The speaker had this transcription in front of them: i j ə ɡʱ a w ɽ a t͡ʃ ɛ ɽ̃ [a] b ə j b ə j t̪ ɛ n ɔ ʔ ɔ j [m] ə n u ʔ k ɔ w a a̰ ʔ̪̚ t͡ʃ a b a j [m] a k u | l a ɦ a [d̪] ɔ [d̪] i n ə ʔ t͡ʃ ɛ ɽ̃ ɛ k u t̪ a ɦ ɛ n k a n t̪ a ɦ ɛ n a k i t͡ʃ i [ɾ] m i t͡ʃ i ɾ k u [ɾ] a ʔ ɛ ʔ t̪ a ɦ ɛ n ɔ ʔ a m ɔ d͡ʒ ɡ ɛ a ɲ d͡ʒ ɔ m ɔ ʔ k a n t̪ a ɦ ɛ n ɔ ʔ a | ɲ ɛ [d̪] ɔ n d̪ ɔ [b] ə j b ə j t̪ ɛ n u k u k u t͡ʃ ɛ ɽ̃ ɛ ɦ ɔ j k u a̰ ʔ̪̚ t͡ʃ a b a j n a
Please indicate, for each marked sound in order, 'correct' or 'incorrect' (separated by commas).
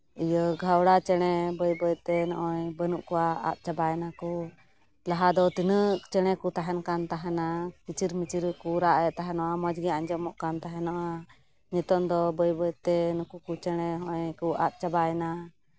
incorrect, incorrect, incorrect, correct, incorrect, correct, correct, incorrect, correct